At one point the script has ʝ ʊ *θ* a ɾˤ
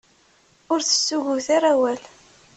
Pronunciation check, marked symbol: correct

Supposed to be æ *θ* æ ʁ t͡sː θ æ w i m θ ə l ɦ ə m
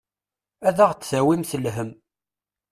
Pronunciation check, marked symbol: incorrect: ð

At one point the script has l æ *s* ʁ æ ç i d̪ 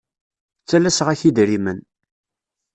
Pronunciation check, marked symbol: correct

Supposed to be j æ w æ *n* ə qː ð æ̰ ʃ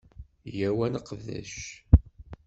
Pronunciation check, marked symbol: correct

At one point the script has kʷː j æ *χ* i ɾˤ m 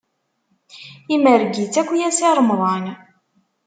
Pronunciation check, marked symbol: incorrect: s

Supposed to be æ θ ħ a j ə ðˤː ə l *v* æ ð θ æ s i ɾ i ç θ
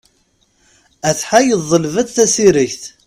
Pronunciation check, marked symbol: correct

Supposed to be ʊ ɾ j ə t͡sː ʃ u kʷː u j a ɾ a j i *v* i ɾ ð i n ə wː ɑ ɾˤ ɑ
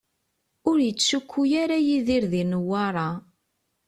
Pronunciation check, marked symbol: incorrect: ð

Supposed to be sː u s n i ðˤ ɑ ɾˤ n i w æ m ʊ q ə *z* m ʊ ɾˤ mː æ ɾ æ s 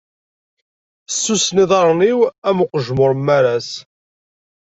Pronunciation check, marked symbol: incorrect: ʒ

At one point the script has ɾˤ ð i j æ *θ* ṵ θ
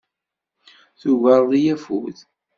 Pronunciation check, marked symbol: incorrect: f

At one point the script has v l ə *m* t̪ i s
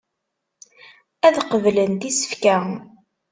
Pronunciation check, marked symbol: incorrect: n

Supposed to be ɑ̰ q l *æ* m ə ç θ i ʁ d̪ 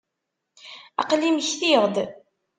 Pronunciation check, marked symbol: incorrect: i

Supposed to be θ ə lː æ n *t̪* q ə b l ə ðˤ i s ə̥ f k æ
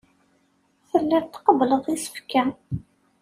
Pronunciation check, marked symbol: correct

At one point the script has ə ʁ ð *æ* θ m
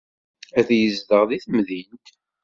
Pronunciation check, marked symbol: incorrect: i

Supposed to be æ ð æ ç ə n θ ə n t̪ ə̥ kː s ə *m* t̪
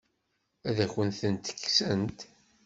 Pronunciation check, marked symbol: incorrect: n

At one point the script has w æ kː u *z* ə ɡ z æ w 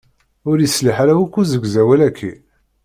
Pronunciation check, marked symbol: correct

